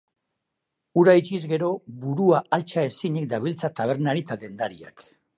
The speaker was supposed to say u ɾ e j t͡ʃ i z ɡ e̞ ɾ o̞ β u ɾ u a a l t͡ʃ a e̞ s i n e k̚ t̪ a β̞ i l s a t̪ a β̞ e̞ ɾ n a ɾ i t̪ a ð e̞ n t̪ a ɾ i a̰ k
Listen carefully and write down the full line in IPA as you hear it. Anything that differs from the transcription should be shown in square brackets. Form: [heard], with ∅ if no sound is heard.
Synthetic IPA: u ɾ [a] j t͡ʃ i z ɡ e̞ ɾ o̞ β u ɾ u a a l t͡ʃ a e̞ s i [ɲ] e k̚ [d̪] a β̞ i l [t͡s] a t̪ a β̞ e̞ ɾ n a ɾ i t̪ a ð e̞ n [d̪] a ɾ i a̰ k